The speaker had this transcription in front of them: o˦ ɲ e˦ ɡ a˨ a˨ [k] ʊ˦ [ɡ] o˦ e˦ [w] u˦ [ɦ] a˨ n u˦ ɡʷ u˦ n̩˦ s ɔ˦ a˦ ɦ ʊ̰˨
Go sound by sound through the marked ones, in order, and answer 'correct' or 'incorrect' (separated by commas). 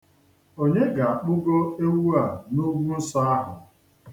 incorrect, correct, correct, incorrect